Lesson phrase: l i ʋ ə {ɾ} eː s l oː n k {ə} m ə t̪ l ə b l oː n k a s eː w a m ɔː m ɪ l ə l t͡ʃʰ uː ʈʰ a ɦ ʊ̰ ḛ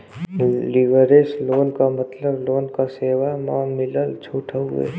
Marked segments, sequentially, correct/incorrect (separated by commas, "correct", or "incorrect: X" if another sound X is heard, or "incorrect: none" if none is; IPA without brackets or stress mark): correct, incorrect: a